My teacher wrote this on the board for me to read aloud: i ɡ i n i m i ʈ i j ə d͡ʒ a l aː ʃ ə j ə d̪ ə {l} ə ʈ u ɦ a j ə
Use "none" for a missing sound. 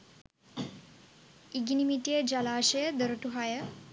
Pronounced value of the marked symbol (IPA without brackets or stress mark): ɾ